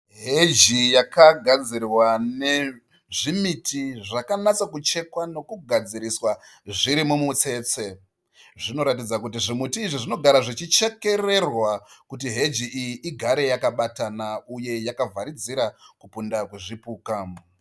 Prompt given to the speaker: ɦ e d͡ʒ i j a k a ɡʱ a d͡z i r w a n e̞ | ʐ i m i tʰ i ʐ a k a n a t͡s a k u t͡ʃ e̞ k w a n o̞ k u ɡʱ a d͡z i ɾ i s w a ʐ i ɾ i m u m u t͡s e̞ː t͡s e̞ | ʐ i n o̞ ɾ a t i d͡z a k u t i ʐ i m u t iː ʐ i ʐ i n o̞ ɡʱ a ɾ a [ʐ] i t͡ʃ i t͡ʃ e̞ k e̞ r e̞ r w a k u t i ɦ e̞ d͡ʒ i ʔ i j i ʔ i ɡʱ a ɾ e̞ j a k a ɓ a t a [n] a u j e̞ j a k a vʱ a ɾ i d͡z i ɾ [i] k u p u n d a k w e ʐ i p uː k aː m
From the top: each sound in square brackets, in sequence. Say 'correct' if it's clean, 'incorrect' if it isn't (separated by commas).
correct, correct, incorrect